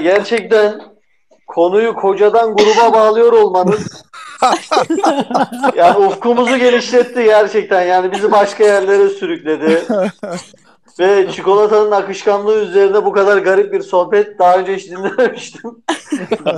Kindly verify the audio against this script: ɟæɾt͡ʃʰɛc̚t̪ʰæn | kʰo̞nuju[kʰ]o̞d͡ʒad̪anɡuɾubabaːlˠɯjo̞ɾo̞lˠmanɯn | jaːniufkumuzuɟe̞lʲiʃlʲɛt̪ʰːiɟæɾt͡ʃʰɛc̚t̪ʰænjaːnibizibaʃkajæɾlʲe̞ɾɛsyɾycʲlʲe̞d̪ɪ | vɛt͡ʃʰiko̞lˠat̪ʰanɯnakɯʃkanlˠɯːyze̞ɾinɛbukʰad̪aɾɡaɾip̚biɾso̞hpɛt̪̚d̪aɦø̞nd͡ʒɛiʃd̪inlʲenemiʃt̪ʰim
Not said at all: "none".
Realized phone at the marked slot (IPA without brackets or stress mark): kʰ